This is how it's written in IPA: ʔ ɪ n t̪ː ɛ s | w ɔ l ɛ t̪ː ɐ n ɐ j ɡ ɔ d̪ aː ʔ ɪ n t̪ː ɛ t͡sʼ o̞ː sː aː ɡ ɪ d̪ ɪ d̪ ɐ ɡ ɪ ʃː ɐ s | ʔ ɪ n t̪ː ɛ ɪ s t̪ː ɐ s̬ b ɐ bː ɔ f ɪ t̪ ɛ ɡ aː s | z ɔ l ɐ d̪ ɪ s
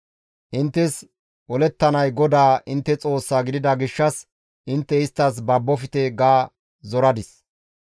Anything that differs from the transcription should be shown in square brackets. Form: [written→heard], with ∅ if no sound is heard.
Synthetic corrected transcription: ʔ ɪ n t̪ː ɛ s | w ɔ l ɛ t̪ː ɐ n ɐ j ɡ ɔ d̪ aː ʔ ɪ n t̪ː ɛ t͡sʼ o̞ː sː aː ɡ ɪ d̪ ɪ d̪ ɐ ɡ ɪ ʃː ɐ s | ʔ ɪ n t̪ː ɛ ɪ s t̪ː ɐ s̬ b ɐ bː ɔ f ɪ t̪ ɛ ɡ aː [s→∅] | z ɔ [l→ɾ] ɐ d̪ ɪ s